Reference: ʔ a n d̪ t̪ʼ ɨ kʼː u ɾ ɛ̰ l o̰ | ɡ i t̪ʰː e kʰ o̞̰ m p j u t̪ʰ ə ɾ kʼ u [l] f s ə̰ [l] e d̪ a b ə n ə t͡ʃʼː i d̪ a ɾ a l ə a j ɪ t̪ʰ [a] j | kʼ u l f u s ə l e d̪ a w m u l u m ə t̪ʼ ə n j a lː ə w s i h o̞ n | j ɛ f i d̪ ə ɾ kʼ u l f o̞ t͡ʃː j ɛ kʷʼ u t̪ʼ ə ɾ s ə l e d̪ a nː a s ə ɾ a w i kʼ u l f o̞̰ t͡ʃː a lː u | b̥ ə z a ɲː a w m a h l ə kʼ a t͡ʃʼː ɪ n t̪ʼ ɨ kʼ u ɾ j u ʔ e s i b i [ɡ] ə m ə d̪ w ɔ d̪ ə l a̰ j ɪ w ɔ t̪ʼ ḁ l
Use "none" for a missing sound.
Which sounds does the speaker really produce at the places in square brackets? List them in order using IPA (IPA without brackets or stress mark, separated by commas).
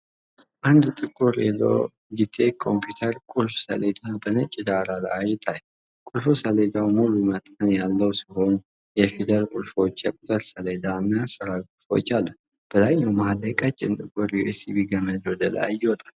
l, l, a, ɡ